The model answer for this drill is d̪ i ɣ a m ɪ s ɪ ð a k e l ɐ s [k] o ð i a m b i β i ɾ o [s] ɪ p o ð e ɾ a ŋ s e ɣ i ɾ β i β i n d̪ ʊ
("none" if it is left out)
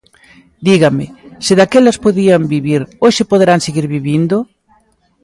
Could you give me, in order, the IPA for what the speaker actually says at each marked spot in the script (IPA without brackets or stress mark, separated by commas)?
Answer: p, ʃ